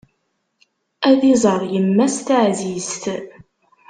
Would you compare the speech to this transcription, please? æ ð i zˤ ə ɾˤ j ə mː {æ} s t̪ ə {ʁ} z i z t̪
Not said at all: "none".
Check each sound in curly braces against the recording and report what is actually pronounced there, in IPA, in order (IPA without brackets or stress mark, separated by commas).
æ, ʕ